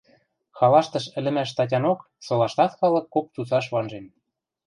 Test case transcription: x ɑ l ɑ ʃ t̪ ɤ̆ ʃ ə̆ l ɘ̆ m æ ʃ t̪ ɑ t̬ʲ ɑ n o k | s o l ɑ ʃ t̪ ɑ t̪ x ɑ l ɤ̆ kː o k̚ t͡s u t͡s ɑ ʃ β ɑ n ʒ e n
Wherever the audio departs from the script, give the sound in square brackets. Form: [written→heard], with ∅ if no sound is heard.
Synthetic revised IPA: x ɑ l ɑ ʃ t̪ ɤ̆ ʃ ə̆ l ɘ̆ m æ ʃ t̪ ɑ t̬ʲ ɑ n o k | s o l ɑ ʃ t̪ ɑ t̪ x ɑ l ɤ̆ kː o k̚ t͡s u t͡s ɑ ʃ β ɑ n ʒ e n